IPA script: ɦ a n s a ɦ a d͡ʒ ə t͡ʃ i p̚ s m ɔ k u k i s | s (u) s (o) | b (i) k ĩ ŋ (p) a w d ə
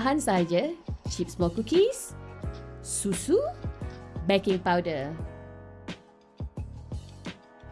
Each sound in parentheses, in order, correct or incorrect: correct, incorrect, incorrect, correct

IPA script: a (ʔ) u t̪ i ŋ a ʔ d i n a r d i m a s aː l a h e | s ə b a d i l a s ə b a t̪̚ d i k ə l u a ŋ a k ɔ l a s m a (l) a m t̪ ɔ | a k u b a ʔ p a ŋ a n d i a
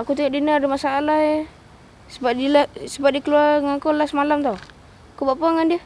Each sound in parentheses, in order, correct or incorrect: incorrect, correct

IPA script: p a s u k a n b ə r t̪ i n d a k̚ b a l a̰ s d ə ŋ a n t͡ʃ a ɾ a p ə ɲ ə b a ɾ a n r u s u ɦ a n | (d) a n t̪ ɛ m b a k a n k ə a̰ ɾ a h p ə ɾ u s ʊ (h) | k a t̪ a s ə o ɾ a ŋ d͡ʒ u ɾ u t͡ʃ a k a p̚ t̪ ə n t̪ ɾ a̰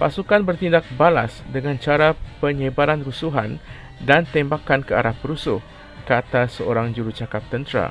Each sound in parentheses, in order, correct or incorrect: correct, correct

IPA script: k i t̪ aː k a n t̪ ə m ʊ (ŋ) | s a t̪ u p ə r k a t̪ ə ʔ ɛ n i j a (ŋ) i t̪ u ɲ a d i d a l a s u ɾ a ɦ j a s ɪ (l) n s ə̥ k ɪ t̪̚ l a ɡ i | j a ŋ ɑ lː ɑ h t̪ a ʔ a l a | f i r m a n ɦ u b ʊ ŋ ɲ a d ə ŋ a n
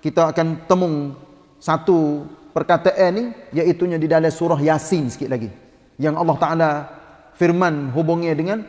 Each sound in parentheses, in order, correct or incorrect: correct, incorrect, incorrect

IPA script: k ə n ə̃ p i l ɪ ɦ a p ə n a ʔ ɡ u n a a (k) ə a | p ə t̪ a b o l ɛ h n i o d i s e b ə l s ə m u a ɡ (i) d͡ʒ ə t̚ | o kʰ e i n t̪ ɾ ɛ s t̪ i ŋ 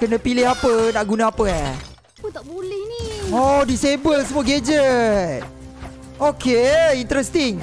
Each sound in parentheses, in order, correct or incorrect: incorrect, incorrect

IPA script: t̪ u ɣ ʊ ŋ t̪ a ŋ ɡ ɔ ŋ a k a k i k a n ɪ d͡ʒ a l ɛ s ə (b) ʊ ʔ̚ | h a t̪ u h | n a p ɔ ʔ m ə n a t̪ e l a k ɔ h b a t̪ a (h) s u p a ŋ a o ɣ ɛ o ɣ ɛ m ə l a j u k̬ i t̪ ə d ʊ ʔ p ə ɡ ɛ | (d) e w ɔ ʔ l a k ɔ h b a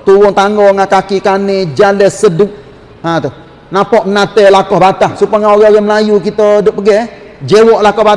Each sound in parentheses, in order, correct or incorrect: incorrect, correct, incorrect

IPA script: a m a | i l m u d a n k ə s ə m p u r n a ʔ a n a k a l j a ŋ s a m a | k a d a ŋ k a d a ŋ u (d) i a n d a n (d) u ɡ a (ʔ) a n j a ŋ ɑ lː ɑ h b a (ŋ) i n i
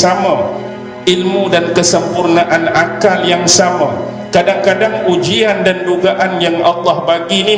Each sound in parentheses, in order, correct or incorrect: incorrect, correct, correct, incorrect

